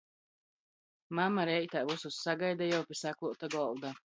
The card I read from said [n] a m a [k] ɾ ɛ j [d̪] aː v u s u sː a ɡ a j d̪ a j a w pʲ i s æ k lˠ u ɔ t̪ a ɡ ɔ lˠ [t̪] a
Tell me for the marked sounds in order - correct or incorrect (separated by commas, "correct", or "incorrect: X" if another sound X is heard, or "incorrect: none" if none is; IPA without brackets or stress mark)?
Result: incorrect: m, incorrect: none, incorrect: t̪, incorrect: d̪